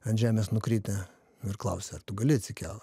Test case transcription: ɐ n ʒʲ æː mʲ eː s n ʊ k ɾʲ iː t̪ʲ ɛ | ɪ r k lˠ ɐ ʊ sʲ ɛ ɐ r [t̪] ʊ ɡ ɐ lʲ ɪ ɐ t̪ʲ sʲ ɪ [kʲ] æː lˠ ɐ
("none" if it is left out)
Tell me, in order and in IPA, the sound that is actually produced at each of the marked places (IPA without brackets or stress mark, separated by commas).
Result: t̪, kʲ